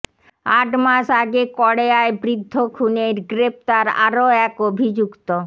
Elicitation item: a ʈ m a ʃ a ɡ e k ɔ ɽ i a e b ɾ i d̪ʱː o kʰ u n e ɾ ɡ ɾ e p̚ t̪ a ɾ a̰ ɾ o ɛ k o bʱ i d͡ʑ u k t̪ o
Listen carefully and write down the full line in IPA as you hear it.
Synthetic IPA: a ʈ m a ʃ a ɡ e k ɔ ɽ e a e b ɾ i d̪ʱː o kʰ u n e ɾ ɡ ɾ e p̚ t̪ a ɾ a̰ ɾ o ɛ k o bʱ i d͡ʑ u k t̪ o